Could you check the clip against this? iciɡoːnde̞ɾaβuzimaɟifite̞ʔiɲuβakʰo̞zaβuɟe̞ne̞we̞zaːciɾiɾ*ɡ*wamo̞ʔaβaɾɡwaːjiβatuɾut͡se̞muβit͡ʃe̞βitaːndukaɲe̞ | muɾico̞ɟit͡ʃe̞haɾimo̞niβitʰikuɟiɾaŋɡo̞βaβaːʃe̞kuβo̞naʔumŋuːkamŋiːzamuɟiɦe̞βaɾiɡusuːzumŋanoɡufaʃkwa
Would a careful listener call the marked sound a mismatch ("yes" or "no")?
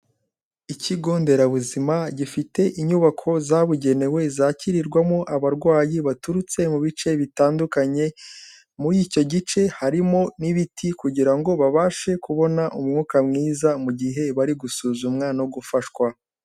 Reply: no